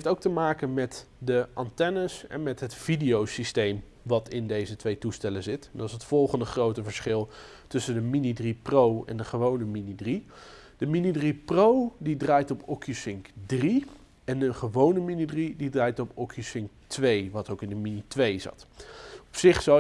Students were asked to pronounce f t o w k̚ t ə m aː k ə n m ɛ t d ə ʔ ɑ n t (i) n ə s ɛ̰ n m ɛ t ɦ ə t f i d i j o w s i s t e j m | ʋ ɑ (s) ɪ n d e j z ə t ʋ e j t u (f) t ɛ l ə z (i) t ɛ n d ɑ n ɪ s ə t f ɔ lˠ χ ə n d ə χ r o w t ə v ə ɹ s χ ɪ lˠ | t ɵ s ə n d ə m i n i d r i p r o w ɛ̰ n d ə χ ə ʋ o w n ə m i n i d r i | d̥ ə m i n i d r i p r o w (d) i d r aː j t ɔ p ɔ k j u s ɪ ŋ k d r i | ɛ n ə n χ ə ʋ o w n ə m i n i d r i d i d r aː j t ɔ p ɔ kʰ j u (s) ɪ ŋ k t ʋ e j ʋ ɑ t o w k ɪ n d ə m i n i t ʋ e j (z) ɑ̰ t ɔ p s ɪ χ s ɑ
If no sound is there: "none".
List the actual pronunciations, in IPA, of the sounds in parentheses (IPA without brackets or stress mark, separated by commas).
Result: ɛ, t, s, ɪ, d, s, z